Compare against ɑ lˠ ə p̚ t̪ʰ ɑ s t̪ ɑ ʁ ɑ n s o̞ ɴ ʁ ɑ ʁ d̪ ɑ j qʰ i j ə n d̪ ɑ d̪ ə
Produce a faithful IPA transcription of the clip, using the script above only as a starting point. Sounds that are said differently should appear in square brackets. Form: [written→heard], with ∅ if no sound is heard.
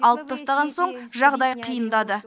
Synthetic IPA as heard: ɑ lˠ ə p̚ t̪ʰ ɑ s t̪ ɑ ʁ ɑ n s o̞ ɴ [ʁ→ʒ] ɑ ʁ d̪ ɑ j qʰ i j ə n d̪ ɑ d̪ ə